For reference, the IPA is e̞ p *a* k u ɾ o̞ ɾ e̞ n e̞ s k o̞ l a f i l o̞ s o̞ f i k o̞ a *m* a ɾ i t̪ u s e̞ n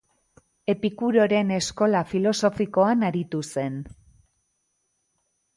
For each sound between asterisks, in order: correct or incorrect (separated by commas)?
incorrect, incorrect